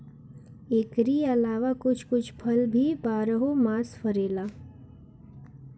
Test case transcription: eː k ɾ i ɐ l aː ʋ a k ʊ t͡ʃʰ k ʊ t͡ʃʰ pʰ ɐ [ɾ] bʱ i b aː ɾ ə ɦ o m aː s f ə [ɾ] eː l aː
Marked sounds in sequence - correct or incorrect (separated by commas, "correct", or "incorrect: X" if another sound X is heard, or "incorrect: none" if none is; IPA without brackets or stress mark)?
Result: incorrect: l, correct